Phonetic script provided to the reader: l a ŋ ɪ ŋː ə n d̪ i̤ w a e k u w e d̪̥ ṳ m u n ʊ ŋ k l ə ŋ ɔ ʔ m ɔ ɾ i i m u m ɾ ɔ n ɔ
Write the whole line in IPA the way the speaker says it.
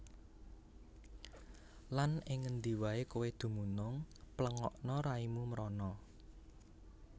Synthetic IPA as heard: l a n ɪ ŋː ə n d̪ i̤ w a e k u w e d̪̥ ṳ m u n ʊ ŋ p l ə ŋ ɔ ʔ n ɔ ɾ a i m u m ɾ ɔ n ɔ